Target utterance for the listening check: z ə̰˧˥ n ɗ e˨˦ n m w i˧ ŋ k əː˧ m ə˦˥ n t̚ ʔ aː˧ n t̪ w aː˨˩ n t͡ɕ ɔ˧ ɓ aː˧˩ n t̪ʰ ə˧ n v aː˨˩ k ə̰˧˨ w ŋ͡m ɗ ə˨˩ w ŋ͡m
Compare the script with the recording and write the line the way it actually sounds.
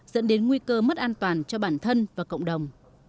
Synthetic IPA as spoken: z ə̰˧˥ n ɗ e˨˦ n ŋ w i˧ k əː˧ m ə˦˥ t̚ ʔ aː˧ n t̪ w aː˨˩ n t͡ɕ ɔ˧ ɓ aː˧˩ n t̪ʰ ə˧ n v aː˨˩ k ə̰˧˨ w ŋ͡m ɗ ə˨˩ w ŋ͡m

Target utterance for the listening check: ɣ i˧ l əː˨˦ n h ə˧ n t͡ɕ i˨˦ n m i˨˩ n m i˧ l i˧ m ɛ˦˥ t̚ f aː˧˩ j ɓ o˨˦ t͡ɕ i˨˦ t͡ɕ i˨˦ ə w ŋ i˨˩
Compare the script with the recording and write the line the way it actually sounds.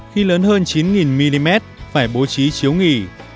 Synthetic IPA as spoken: x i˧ l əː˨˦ n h əː˧ n t͡ɕ i˨˦ n ŋ i˨˩ n m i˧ l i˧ m ɛ˦˥ t̚ f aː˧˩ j ɓ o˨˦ t͡ɕ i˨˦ t͡ɕ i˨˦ ə w ŋ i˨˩

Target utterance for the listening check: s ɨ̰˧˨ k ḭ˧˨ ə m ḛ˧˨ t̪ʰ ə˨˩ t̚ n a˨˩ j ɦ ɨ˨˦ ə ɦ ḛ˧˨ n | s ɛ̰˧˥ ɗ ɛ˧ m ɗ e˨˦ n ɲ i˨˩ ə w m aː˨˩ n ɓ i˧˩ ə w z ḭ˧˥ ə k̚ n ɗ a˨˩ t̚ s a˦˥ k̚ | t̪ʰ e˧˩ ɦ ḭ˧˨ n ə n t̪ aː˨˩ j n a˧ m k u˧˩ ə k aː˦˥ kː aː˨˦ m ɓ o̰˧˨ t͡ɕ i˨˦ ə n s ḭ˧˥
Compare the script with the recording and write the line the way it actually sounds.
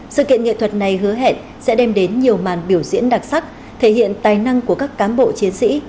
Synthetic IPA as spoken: s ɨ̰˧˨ k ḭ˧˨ ə ŋ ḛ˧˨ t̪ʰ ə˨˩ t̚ n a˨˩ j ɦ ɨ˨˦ ə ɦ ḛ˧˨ n | s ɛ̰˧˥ ɗ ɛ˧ m ɗ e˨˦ n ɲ i˨˩ ə w m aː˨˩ n ɓ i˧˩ ə w z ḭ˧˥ ə n ɗ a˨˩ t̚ s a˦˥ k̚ | t̪ʰ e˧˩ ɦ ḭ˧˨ ə n t̪ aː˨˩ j n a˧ ŋ k u˧˩ ə k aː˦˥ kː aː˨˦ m ɓ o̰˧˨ t͡ɕ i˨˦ ə n s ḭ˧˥

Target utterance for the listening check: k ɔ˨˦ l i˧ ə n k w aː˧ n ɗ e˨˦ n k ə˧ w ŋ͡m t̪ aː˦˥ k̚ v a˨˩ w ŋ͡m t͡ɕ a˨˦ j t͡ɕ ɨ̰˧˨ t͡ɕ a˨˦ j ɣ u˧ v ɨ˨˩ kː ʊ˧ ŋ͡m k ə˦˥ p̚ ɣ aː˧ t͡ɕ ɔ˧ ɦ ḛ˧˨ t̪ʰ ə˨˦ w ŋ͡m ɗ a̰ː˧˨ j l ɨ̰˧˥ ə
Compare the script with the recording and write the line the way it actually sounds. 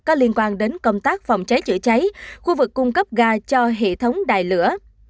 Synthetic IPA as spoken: k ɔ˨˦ l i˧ ə n k w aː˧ n ɗ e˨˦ n k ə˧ w ŋ͡m t̪ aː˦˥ k̚ f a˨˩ w ŋ͡m t͡ɕ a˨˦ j t͡ɕ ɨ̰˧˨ t͡ɕ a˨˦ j x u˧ v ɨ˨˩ kː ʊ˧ ŋ͡m k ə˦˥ p̚ ɣ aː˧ t͡ɕ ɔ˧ ɦ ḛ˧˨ t̪ʰ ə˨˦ w ŋ͡m ɗ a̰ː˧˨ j l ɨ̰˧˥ ə

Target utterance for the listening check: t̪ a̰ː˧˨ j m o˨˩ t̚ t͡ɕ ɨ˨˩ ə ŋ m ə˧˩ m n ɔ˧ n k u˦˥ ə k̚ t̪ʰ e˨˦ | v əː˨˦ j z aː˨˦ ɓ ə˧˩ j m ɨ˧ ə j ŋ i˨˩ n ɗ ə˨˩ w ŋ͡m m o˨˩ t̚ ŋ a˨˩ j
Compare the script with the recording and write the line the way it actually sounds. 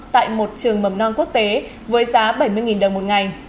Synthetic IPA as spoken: t̪ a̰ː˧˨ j m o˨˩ t̚ t͡ɕ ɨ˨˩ ə ŋ m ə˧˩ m n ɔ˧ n k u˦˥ ə k̚ t̪ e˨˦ | v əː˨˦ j z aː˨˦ ɓ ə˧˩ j m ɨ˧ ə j ŋ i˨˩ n ɗ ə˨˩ w ŋ͡m m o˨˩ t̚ ŋ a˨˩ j

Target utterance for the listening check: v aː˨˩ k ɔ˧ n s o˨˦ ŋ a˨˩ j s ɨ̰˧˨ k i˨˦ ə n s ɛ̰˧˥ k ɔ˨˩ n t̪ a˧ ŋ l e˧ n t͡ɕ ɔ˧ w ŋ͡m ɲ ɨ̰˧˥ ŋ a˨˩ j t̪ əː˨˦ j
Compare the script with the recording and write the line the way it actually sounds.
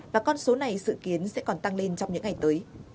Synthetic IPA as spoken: v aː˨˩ k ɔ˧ n s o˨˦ n a˨˩ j s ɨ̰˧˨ k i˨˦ ə n s ɛ̰˧˥ k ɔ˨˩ n t̪ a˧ ŋ l e˧ n t͡ɕ ɔ˧ w ŋ͡m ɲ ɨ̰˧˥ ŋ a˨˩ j t̪ əː˨˦ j

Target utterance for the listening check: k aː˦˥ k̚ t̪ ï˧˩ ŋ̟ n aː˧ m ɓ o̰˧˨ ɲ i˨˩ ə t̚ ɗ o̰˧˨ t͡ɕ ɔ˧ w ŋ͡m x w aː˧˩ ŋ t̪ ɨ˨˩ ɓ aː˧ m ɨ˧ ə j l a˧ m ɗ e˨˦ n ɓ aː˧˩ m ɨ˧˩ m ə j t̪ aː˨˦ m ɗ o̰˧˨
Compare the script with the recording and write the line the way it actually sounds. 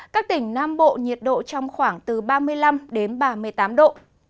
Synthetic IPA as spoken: k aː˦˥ k̚ t̪ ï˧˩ ŋ̟ n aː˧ m ɓ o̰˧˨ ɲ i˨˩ ə t̚ ɗ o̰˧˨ t͡ɕ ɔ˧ w ŋ͡m x w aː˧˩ ŋ t̪ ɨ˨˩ ɓ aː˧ m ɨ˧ ə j l a˧ m ɗ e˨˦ n ɓ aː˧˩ m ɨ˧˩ ə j t̪ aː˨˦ m ɗ o̰˧˨

